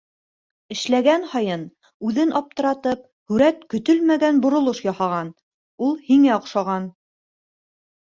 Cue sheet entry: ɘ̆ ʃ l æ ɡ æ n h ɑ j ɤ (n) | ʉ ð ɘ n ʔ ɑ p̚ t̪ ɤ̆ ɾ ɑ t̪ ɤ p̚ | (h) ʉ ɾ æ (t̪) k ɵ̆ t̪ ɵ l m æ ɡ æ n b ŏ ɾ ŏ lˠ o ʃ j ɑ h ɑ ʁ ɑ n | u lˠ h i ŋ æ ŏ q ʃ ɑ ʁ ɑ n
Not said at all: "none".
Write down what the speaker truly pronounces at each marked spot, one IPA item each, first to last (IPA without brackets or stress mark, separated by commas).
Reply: n, h, t̪